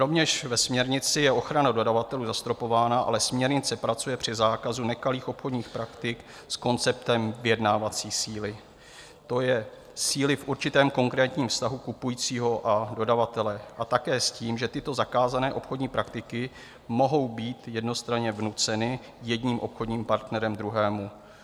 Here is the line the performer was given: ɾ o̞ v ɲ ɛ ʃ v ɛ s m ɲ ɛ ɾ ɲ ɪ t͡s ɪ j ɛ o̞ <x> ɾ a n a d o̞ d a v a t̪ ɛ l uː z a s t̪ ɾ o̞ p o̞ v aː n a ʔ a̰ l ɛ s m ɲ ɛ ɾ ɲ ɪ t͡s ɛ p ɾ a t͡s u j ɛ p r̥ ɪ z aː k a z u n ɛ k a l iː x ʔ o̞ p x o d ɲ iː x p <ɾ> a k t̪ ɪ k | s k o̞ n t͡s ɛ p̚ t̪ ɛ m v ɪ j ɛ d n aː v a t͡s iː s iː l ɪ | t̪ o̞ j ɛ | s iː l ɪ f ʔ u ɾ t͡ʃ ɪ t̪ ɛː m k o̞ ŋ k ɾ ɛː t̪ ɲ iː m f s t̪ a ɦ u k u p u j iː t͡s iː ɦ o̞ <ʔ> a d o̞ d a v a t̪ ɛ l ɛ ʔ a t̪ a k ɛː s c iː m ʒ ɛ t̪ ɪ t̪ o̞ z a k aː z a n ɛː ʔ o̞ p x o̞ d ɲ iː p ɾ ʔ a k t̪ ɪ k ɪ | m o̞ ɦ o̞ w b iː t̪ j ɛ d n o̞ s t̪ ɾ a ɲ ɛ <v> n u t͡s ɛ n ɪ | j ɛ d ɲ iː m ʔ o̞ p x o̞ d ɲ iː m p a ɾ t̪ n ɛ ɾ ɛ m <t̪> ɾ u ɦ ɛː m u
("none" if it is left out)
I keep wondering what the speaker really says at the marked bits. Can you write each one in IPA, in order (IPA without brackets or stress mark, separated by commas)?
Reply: x, ɾ, ʔ, v, d̪